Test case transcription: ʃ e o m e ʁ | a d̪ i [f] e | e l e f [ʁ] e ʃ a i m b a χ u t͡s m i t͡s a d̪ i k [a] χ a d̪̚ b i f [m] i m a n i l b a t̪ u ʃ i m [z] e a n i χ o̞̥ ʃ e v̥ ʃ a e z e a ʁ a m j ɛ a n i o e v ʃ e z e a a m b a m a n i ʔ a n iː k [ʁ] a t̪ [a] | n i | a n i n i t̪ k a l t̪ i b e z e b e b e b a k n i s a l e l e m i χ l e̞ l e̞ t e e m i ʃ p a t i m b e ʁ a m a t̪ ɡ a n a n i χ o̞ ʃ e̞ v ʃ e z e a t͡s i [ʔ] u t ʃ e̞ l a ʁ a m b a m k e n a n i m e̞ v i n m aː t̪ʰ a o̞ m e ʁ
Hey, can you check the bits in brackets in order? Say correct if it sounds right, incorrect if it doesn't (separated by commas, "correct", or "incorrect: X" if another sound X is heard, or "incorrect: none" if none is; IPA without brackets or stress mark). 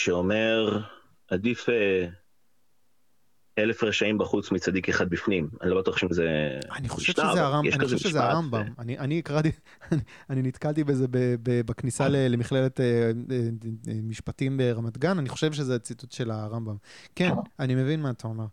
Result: correct, correct, incorrect: e, incorrect: n, correct, correct, incorrect: i, incorrect: t